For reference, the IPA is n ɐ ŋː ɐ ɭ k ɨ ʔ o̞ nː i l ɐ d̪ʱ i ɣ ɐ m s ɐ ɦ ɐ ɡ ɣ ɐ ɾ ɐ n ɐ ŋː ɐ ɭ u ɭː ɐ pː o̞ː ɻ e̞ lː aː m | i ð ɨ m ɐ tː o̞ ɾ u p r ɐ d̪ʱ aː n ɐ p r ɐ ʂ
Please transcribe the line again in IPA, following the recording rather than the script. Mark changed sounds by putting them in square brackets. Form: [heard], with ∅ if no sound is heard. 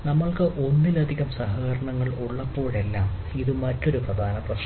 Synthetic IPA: n ɐ [mː] ɐ ɭ k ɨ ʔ o̞ nː i l ɐ d̪ʱ i ɣ ɐ m s ɐ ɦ ɐ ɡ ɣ ɐ ɾ ɐ [ɳ] ɐ ŋː ɐ ɭ u ɭː ɐ pː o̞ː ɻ e̞ lː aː m | i ð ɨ m ɐ tː o̞ ɾ u p r ɐ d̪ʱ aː n ɐ p r ɐ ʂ